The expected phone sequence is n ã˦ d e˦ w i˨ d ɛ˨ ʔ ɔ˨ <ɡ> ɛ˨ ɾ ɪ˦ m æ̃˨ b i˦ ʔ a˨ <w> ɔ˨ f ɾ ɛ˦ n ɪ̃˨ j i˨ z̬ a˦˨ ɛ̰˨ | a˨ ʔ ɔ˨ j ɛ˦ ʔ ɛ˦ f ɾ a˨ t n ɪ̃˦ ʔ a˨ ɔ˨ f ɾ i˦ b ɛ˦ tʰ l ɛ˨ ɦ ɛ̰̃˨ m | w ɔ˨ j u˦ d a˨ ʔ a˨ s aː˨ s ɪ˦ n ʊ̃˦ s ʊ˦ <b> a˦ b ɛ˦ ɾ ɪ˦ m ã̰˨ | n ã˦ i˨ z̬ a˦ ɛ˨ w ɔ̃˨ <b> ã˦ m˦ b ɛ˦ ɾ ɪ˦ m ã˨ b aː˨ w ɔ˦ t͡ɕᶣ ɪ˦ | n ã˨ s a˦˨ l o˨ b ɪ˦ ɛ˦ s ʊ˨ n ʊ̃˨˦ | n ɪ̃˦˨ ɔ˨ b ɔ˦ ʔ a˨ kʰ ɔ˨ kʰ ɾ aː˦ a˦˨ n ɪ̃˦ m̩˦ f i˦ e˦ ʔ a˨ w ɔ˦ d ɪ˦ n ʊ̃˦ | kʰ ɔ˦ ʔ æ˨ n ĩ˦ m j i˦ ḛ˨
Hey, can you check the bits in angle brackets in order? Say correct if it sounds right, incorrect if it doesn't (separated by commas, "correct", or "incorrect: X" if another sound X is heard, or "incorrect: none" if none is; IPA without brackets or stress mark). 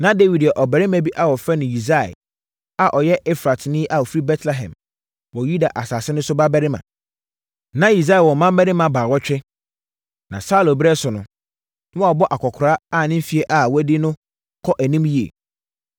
incorrect: b, correct, correct, incorrect: m